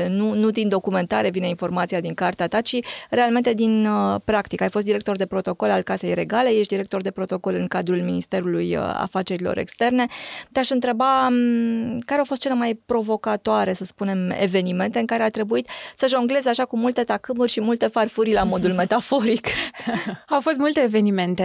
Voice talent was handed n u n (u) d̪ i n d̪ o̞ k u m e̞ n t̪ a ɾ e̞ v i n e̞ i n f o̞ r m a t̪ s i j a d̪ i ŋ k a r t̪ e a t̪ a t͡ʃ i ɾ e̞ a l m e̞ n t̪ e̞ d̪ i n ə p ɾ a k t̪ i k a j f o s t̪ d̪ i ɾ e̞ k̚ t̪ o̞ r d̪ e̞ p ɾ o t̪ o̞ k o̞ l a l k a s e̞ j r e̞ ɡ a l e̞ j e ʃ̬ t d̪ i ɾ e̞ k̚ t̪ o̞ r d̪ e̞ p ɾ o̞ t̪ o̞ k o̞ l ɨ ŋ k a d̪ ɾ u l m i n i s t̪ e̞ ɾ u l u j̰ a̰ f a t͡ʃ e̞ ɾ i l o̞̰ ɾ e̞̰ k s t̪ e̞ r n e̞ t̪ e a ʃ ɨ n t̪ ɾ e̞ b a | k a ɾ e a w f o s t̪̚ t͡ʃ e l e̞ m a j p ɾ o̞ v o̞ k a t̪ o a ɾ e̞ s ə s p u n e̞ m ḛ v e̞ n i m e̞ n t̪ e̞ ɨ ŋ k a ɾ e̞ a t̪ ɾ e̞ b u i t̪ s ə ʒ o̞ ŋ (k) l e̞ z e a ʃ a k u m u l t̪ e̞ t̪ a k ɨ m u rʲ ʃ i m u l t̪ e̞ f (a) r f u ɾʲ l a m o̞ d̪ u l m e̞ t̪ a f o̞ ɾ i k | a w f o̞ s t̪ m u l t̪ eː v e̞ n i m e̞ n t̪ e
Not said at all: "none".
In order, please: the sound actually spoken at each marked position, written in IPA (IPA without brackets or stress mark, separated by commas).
u, ɡ, a